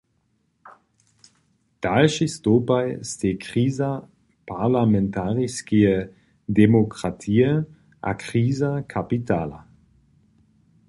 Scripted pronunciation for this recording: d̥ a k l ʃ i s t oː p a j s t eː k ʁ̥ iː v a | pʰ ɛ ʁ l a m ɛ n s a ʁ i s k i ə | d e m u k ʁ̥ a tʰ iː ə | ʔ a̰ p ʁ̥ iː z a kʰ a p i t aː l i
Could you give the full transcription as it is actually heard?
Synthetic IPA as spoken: d̥ a l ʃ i s t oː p a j s t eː k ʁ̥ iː z a | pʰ a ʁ l a m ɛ n t a ʁ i s k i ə | d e m o k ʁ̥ a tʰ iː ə | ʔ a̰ k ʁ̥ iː z a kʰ a p i t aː l a